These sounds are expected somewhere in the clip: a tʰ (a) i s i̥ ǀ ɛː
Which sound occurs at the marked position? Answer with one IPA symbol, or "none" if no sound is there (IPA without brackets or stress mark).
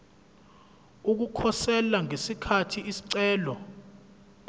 i